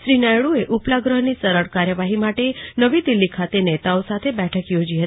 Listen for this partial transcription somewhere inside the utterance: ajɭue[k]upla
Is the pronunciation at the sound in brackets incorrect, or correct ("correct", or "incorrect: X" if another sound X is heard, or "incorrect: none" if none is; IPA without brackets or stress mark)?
incorrect: ʔ